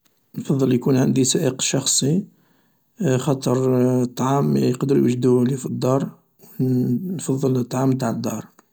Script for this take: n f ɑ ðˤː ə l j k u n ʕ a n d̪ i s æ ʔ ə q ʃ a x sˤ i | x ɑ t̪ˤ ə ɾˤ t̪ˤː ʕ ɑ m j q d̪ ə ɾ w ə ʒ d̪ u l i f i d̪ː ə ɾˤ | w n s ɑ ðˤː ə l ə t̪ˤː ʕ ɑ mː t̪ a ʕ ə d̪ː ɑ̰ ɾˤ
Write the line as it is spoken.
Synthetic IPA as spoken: n f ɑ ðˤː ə l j k u n ʕ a n d̪ i s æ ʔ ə q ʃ ɑ x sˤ i | x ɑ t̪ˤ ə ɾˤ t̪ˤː ʕ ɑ m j q d̪ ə ɾ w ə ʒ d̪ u l i f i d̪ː ɑ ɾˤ | w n f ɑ ðˤː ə l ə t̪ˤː ʕ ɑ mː t̪ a ʕ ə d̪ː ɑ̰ ɾˤ